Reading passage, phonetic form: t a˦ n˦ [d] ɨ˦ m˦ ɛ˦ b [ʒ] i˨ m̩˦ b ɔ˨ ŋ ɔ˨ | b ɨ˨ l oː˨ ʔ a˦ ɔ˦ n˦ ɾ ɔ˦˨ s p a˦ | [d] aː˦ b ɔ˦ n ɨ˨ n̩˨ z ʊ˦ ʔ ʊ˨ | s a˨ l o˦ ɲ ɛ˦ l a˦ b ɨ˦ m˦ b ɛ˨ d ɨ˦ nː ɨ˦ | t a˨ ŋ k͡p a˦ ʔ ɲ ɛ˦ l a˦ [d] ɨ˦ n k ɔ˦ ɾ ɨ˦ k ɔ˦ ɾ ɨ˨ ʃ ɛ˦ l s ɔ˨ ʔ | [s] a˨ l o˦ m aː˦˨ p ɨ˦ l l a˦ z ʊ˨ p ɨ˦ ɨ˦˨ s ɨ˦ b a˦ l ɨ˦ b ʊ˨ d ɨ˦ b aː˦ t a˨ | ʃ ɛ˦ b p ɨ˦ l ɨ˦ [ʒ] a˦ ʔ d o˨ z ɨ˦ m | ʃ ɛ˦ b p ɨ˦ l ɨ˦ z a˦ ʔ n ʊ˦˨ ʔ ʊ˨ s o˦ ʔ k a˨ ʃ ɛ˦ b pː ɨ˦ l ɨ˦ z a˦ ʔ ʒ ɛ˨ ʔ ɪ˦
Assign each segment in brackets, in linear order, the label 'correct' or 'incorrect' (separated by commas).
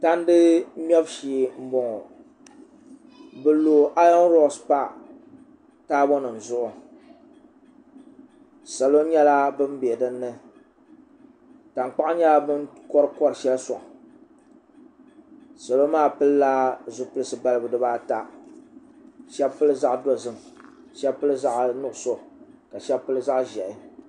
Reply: correct, incorrect, incorrect, incorrect, correct, incorrect